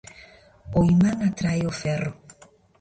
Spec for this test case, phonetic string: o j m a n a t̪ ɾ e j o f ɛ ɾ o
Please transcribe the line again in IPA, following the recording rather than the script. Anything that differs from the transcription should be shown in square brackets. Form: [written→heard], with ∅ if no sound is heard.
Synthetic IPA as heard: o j m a [n→ŋ] a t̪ ɾ [e→a] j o f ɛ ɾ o